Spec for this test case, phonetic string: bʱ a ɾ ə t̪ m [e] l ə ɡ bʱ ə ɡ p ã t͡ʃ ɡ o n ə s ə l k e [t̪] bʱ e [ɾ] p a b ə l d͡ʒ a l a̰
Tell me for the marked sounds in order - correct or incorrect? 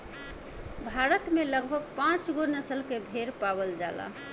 correct, incorrect, correct

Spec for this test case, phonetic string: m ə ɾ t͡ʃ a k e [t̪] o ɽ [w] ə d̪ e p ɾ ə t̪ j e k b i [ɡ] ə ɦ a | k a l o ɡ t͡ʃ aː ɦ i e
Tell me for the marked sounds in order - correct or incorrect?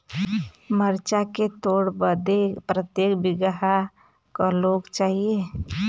correct, incorrect, correct

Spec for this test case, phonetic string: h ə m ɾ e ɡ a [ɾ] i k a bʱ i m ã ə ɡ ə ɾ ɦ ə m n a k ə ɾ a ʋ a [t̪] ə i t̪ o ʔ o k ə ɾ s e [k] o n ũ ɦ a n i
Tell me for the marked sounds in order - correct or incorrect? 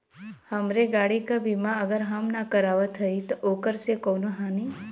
incorrect, incorrect, correct

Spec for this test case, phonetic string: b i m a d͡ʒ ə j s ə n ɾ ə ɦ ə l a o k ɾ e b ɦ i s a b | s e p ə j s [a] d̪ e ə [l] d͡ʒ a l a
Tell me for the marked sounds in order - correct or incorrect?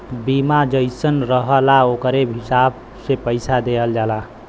correct, correct

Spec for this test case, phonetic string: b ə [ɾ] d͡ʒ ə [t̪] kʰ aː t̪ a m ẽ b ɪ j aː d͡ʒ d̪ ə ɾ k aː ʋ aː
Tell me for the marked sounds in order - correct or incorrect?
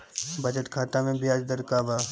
incorrect, correct

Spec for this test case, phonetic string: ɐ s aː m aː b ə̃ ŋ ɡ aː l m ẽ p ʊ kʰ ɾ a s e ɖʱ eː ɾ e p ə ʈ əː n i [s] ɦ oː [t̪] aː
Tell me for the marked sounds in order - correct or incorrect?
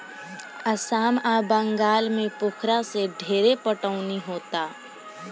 incorrect, correct

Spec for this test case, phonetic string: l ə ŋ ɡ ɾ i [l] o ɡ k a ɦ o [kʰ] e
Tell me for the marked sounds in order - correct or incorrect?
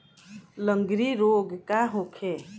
incorrect, correct

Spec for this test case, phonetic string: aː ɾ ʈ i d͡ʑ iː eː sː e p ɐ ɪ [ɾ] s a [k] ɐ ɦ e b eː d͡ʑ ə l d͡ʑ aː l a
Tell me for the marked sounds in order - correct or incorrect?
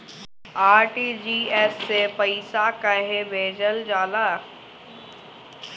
incorrect, correct

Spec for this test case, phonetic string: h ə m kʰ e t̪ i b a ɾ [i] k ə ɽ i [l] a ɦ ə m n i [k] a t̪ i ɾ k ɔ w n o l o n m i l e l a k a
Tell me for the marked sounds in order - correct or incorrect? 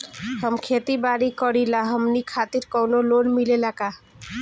correct, correct, incorrect

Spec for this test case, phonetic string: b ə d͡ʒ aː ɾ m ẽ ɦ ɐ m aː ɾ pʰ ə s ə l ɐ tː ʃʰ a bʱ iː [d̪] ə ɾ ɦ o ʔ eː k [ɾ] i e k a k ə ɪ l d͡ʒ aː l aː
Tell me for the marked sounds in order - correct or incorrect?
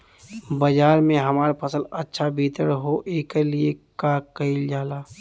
incorrect, incorrect

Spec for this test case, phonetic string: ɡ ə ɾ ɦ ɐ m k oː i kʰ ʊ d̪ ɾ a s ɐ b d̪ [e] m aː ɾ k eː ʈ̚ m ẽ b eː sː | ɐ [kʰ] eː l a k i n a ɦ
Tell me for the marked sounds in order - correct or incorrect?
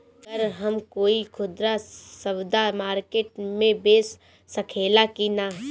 incorrect, correct

